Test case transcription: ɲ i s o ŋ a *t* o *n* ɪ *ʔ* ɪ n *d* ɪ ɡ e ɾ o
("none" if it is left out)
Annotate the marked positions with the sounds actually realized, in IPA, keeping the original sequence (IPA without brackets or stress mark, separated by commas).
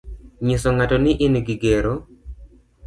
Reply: t, n, ʔ, ɡ